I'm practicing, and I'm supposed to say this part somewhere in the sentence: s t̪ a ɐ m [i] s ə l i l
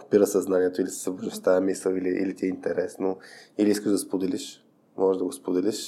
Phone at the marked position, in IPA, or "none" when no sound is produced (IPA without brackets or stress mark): i